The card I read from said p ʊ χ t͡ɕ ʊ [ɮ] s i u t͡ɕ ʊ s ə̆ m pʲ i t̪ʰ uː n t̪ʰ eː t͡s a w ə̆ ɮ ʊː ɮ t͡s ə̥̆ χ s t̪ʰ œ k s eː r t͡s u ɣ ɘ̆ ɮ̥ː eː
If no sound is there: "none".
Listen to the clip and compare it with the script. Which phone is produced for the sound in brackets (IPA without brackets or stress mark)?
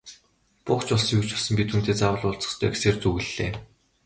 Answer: ɮ